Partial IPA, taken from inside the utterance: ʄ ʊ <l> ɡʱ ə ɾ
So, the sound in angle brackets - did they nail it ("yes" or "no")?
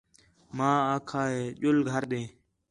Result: yes